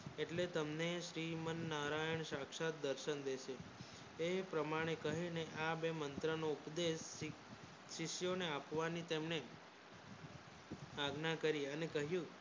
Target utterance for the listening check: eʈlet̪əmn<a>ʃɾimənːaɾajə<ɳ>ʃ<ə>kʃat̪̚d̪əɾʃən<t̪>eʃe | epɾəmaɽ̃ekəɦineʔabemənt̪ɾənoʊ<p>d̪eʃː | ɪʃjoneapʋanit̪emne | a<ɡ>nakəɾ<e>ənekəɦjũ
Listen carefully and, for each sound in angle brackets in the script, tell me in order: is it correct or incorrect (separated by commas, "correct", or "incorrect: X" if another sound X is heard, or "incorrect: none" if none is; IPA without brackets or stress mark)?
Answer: incorrect: e, correct, incorrect: a, incorrect: d̪, correct, correct, incorrect: i